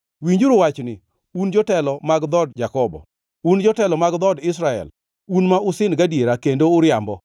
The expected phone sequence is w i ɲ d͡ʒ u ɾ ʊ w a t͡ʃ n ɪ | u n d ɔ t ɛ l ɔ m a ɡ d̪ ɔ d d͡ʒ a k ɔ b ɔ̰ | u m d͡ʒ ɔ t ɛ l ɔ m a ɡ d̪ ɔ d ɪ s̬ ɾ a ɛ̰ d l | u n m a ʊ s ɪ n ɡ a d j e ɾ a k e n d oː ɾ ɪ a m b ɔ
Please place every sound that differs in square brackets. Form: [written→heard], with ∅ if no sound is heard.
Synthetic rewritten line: w i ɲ d͡ʒ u ɾ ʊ w a t͡ʃ n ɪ | u n [d→d͡ʒ] ɔ t ɛ l ɔ m a ɡ d̪ ɔ d d͡ʒ a k ɔ b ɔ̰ | u [m→n] d͡ʒ ɔ t ɛ l ɔ m a ɡ d̪ ɔ d ɪ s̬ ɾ a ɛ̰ [d→∅] l | u n m a ʊ s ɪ n ɡ a d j e ɾ a k e n d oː ɾ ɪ a m b ɔ

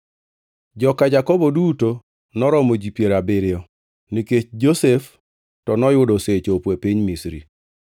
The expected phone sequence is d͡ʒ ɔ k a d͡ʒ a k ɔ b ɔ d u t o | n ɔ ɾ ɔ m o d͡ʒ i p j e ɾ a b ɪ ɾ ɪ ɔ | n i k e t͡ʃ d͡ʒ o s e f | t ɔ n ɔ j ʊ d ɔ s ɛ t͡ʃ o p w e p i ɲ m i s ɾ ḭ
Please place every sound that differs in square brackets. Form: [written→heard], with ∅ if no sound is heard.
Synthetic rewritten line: d͡ʒ ɔ k a d͡ʒ a k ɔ b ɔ d u t o | n ɔ ɾ ɔ m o d͡ʒ i p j e ɾ a b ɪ ɾ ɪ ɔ | n i k e t͡ʃ d͡ʒ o s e f | t ɔ n ɔ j ʊ d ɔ s [ɛ→e] t͡ʃ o p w e p i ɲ m i s ɾ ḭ

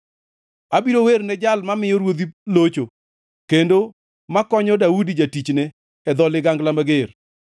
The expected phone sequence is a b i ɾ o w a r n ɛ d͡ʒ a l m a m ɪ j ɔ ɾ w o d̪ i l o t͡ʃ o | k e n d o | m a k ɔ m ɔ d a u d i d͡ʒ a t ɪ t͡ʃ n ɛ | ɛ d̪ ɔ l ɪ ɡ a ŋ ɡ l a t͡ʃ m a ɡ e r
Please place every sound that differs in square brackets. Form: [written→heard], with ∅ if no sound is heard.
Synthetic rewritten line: a b i ɾ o w [a→e] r n ɛ d͡ʒ a l m a m ɪ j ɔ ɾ w o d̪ i l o t͡ʃ o | k e n d o | m a k ɔ [m→ɲ] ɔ d a u d i d͡ʒ a t [ɪ→i] t͡ʃ n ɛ | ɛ d̪ ɔ l ɪ ɡ a ŋ ɡ l a [t͡ʃ→∅] m a ɡ e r

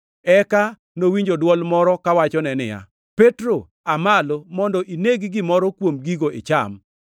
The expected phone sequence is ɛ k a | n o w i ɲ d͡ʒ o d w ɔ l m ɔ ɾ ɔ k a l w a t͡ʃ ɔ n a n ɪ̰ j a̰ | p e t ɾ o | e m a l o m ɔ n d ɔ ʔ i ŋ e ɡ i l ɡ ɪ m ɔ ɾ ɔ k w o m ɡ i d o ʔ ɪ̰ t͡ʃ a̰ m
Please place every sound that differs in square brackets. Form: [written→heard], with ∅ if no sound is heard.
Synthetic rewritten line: ɛ k a | n o w i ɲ d͡ʒ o d w ɔ l m ɔ ɾ ɔ k a [l→∅] w a t͡ʃ ɔ n [a→ɛ] n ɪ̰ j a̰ | p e t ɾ o | [e→a] m a l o m ɔ n d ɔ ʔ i [ŋ→n] e ɡ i [l→∅] ɡ ɪ m ɔ ɾ ɔ k w o m ɡ i [d→ɡ] o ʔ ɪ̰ t͡ʃ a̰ m

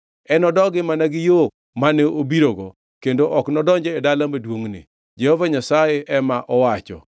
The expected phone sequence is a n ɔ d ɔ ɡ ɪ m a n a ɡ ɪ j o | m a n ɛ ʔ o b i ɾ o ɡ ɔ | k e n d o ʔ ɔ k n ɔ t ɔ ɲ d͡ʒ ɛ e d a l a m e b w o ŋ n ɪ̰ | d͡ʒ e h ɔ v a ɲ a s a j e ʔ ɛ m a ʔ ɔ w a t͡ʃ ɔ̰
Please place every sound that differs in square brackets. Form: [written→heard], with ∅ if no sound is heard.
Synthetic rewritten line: [a→ɛ] n ɔ d ɔ ɡ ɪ m a n a ɡ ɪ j o | m a n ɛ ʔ o b i ɾ o ɡ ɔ | k e n d o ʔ ɔ k n ɔ [t→d] ɔ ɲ d͡ʒ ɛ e d a l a m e [b→d] w o ŋ n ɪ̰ | d͡ʒ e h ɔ v a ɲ a s a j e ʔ ɛ m a ʔ ɔ w a t͡ʃ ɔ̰

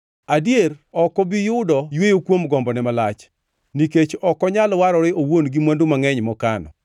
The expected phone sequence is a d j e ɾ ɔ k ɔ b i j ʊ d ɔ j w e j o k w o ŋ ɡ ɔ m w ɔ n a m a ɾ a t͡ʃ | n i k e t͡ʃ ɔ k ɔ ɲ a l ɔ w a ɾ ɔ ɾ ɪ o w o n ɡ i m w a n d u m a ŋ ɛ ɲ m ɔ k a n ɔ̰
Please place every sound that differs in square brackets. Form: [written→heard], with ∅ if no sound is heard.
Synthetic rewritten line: a d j e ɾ ɔ k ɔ b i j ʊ d ɔ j w e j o k w o [ŋ→m] ɡ ɔ m [w→b] ɔ n [a→ɛ] m a [ɾ→l] a t͡ʃ | n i k e t͡ʃ ɔ k ɔ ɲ a l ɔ w a ɾ ɔ ɾ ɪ o w o n ɡ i m w a n d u m a ŋ ɛ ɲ m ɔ k a n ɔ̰

